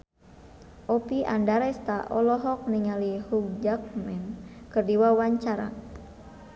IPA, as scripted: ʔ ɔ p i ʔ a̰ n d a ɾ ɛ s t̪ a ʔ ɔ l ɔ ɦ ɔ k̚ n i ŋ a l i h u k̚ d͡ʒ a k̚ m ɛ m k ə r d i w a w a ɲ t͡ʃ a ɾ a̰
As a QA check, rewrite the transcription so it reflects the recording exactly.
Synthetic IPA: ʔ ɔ p i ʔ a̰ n d a ɾ ɛ s t̪ a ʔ ɔ l ɔ ɦ ɔ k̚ n i ŋ a l i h u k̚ d͡ʒ a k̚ m ɛ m k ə r d i w a w a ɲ t͡ʃ a ɾ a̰